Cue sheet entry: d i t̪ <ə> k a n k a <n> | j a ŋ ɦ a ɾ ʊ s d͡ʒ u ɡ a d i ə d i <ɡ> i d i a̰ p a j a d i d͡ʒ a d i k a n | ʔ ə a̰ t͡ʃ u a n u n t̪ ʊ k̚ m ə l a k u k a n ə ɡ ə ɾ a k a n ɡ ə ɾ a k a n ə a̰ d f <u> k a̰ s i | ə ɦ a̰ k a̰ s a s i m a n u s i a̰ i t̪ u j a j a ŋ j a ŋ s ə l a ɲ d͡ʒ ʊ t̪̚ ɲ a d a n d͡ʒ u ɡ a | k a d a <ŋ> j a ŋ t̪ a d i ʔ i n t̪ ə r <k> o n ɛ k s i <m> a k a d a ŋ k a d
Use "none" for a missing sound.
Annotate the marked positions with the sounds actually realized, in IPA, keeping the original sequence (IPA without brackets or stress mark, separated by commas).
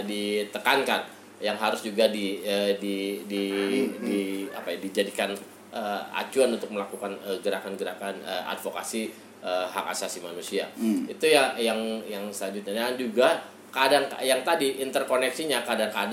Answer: ə, n, d, o, ŋ, k, ɲ